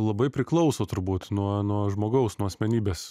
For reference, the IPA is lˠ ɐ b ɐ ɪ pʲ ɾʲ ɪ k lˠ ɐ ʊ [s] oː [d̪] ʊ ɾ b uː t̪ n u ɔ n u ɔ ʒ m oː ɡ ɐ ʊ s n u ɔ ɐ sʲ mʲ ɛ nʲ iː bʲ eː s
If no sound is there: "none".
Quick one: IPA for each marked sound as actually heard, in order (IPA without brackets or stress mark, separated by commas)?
s, t̪